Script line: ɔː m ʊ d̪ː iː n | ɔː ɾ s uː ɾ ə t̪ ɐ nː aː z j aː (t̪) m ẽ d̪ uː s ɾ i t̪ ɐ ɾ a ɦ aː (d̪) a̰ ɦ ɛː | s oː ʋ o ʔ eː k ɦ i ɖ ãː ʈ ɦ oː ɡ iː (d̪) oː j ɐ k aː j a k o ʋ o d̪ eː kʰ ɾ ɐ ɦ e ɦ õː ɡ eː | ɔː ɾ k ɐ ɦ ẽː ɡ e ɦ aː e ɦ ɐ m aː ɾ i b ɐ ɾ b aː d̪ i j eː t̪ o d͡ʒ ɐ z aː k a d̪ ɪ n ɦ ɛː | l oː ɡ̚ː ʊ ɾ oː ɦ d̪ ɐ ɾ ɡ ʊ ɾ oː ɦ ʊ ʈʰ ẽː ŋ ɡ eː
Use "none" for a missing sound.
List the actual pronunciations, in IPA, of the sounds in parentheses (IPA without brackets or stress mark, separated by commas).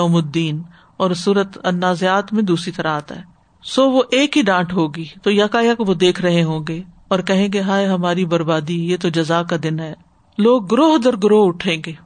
t̪, t̪, t̪